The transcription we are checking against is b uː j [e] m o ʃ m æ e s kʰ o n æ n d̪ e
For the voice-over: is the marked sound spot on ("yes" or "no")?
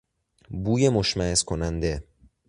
yes